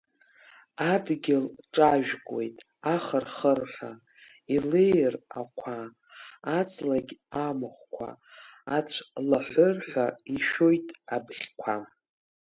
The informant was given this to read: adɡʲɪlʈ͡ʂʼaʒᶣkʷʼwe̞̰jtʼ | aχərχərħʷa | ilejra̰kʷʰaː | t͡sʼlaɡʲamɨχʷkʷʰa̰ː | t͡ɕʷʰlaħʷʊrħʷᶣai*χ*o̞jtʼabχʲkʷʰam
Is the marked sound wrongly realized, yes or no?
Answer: yes